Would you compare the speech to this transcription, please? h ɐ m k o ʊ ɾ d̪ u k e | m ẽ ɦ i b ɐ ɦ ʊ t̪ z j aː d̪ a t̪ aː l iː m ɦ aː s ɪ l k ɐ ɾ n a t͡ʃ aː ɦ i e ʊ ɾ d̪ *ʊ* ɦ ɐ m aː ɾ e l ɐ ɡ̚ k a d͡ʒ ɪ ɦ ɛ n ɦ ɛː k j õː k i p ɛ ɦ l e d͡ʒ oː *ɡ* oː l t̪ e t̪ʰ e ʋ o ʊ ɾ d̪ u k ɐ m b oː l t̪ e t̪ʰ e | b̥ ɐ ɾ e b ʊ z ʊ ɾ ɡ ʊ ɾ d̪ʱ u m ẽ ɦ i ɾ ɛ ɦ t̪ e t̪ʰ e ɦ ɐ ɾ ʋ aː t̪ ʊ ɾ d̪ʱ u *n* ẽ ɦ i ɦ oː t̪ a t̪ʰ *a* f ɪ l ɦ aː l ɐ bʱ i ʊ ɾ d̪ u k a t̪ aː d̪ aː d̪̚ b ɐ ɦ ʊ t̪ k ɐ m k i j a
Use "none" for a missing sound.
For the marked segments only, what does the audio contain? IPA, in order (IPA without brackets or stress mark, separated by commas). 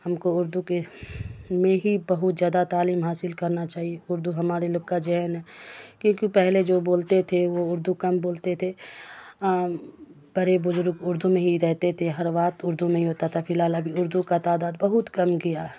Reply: u, b, m, a